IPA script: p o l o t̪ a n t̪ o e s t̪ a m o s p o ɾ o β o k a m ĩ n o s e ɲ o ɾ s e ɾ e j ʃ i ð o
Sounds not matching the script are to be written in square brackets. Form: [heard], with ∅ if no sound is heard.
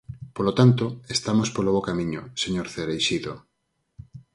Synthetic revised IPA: p o l o t̪ a n t̪ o e s t̪ a m o s p o [l] o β o k a m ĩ [ɲ] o s e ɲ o ɾ [θ] e ɾ e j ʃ i ð o